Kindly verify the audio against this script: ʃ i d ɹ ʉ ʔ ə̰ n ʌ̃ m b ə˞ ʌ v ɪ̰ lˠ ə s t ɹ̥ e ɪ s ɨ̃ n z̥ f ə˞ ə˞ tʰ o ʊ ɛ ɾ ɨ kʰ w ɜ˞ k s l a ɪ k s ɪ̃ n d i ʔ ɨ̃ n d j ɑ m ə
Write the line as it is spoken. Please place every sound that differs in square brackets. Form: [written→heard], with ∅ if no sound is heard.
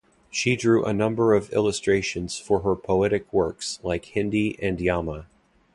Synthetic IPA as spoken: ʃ i d ɹ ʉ ʔ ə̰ n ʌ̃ m b ə˞ ʌ v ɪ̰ lˠ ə s t ɹ̥ e ɪ [s→ʃ] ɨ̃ n z̥ f ə˞ ə˞ [tʰ→pʰ] o ʊ ɛ ɾ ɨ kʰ w ɜ˞ k s l a ɪ k [s→h] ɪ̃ n d i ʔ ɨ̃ n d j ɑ m ə